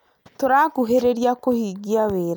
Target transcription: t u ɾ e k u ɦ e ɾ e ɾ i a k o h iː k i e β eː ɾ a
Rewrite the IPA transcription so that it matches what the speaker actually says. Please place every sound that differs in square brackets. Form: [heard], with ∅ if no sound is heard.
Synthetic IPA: t [o] ɾ [a] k u ɦ e ɾ e ɾ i a k o h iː [ɡ] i [a] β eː ɾ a